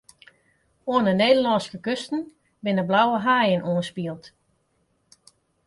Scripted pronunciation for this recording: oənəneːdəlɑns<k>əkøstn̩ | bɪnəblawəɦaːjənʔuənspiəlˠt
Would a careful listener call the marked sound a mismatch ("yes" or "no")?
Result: no